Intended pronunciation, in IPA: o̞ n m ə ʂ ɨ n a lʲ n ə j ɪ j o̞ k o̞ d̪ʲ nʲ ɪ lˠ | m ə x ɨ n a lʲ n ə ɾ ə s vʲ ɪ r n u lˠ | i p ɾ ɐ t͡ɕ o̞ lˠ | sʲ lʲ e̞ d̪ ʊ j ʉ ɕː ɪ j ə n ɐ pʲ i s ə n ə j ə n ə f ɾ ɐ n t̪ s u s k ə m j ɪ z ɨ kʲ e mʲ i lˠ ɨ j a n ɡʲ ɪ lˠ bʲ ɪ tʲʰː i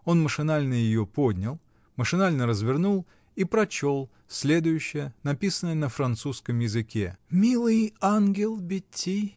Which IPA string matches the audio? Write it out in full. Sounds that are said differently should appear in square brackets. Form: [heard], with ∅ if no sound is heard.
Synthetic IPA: o̞ n m ə ʂ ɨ n a lʲ n ə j ɪ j o̞ [p] o̞ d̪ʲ nʲ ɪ lˠ | m ə [ʂ] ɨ n a lʲ n ə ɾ ə [z] vʲ ɪ r n u lˠ | i p ɾ ɐ t͡ɕ o̞ lˠ | sʲ lʲ e̞ d̪ ʊ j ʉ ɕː ɪ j ə n ɐ pʲ i s ə n ə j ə n ə f ɾ ɐ n t̪ s u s k ə m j ɪ z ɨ kʲ e mʲ i lˠ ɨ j a n ɡʲ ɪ lˠ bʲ ɪ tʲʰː i